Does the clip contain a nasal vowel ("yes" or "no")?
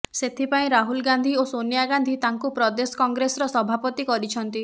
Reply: yes